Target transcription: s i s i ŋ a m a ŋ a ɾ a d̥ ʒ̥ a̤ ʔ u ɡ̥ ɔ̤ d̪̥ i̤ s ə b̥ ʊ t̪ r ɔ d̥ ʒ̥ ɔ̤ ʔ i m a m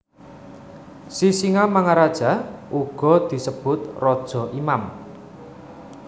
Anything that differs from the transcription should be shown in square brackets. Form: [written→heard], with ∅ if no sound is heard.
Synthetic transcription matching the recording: s i s i ŋ a m a ŋ a ɾ a d̥ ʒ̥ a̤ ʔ u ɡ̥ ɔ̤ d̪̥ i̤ s ə b̥ ʊ t̪ r ɔ d̥ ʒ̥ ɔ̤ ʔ i m a m